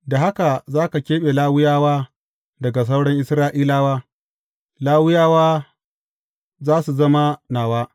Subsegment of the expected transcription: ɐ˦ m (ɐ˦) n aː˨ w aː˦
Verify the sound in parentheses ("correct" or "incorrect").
incorrect